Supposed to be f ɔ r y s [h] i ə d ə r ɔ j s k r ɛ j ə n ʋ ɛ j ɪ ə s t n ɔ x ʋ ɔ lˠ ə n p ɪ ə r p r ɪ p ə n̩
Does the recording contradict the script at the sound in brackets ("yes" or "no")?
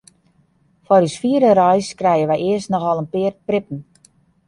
yes